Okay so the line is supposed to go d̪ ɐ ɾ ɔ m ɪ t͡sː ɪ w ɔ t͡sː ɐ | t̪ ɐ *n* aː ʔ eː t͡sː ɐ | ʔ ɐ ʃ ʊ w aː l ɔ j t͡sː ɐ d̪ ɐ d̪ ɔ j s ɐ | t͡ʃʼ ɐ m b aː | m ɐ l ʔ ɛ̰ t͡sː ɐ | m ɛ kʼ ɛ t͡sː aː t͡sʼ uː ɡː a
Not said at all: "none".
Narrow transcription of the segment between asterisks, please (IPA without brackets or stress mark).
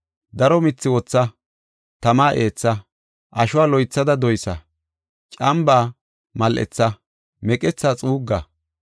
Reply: m